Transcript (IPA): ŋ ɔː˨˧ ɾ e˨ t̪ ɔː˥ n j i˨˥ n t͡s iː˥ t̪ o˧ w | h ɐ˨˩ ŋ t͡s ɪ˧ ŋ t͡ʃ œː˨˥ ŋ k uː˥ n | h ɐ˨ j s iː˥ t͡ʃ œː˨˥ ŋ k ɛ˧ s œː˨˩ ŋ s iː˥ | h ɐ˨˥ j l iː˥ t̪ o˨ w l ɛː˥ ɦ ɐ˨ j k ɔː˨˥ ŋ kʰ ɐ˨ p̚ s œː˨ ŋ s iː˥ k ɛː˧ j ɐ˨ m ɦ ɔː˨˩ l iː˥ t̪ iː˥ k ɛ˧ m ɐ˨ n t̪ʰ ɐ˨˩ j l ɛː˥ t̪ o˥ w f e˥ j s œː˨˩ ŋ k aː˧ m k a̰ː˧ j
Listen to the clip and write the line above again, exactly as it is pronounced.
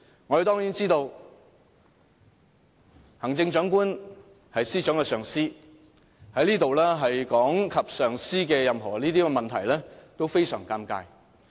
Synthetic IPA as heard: ŋ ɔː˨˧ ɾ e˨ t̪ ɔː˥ ŋ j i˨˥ n t͡s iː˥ t̪ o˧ w | h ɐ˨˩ ŋ t͡s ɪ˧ ŋ t͡ʃ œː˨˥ ŋ k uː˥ n | h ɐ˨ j s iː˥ t͡ʃ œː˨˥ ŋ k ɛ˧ s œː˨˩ ŋ s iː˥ | h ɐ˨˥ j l iː˥ t̪ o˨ w l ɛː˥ ɦ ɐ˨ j k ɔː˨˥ ŋ kʰ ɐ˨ p̚ s œː˨ ŋ s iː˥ k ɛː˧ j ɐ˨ m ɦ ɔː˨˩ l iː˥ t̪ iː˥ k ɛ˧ m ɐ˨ n t̪ʰ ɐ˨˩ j l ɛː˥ t̪ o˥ w f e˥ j s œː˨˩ ŋ k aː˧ m k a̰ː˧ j